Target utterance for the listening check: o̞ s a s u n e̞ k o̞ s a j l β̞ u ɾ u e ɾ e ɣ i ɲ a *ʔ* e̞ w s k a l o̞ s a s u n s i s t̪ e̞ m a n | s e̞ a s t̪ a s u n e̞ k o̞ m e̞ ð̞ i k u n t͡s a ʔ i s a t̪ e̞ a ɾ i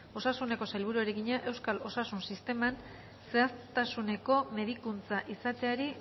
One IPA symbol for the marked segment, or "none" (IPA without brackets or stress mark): ʔ